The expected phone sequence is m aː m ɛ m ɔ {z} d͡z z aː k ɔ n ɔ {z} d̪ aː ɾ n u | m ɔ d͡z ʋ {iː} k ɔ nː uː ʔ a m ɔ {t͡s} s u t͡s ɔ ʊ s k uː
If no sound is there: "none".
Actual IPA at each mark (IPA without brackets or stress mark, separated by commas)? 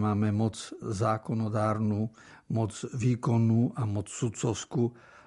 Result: none, none, iː, t͡s